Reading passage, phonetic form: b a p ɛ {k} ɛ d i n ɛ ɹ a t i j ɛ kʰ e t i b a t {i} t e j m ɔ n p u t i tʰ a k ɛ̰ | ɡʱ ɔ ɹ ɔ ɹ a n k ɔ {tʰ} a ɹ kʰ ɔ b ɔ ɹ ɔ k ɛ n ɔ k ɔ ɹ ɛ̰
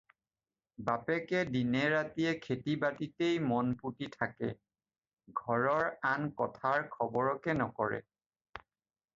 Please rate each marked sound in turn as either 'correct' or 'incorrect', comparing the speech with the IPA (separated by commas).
correct, correct, correct